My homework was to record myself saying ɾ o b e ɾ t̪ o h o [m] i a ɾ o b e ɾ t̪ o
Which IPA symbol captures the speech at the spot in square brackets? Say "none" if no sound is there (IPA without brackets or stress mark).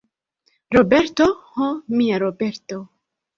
m